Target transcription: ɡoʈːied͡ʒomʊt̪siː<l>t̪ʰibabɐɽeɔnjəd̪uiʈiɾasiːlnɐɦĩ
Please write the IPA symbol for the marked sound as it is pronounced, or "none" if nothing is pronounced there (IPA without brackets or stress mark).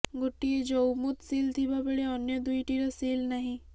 l